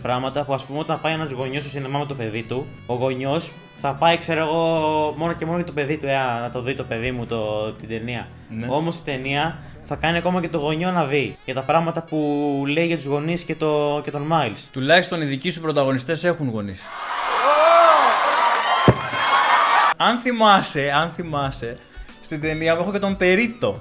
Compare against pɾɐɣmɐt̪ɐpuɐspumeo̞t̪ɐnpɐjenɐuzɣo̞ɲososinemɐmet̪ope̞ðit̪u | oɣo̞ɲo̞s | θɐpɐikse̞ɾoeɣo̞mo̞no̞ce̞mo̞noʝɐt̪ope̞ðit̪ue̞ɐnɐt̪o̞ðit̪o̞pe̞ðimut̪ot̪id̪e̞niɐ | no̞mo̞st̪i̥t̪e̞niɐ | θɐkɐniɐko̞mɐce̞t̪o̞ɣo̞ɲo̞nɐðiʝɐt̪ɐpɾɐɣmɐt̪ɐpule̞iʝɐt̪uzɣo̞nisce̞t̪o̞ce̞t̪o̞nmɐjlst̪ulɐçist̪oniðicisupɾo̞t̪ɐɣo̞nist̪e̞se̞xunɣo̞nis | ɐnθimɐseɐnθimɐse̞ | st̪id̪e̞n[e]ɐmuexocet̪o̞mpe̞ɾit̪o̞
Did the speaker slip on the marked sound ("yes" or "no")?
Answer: yes